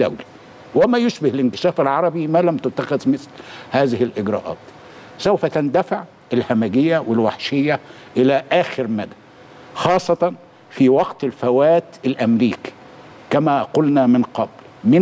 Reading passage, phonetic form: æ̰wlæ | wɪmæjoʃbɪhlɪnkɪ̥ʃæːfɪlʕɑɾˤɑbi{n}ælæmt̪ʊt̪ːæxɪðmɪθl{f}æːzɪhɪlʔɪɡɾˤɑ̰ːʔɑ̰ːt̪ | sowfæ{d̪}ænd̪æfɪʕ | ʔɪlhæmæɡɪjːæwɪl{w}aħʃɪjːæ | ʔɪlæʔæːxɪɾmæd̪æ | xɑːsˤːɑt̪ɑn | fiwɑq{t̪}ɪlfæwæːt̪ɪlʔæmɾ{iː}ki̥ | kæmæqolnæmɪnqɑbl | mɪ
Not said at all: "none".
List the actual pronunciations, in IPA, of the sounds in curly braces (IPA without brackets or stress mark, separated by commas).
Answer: m, h, t̪, w, t̪, iː